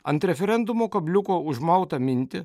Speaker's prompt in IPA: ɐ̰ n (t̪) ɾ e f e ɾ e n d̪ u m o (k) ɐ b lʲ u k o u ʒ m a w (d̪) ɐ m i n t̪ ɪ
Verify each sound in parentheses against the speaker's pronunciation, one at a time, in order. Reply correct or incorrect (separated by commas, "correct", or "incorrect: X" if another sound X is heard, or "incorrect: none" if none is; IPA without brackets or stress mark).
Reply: correct, correct, incorrect: t̪